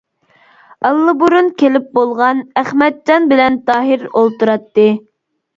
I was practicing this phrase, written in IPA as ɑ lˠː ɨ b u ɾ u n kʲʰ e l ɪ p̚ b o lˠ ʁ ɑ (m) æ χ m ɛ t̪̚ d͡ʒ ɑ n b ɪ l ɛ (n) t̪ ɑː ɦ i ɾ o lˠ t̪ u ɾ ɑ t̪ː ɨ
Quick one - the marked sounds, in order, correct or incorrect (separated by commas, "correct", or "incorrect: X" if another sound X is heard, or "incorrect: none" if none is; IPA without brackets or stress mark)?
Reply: incorrect: n, correct